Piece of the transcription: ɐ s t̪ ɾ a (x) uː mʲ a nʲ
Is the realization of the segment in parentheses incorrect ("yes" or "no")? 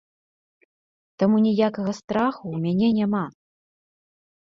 no